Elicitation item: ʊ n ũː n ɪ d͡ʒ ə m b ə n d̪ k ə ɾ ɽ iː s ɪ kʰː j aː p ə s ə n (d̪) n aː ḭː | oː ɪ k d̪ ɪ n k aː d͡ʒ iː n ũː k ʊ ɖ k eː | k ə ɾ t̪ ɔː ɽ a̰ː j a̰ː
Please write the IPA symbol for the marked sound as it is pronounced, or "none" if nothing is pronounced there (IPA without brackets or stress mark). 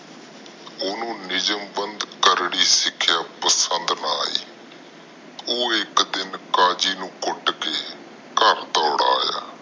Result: d̪